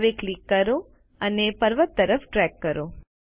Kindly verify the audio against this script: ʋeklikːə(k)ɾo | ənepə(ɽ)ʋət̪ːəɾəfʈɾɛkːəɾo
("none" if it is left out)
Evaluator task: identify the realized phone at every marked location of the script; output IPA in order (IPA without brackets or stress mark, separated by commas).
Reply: none, ɾ